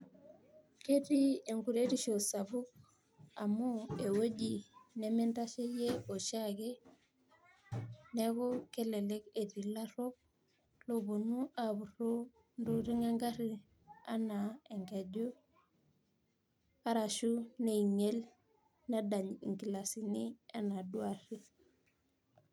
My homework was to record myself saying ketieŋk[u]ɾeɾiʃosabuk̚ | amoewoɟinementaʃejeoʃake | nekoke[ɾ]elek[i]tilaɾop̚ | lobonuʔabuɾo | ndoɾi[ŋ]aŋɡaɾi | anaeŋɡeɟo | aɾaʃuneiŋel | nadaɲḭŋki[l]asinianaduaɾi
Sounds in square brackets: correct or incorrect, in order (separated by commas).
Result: correct, incorrect, incorrect, correct, correct